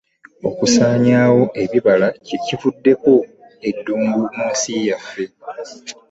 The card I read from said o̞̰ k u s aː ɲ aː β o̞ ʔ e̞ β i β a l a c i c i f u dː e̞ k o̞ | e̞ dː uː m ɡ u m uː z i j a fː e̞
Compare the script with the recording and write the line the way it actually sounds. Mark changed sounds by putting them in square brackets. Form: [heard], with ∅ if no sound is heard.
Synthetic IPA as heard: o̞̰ k u s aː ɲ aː [w] o̞ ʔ e̞ β i β a l a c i c i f u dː e̞ k o̞ | e̞ dː uː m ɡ u m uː [s] i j a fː e̞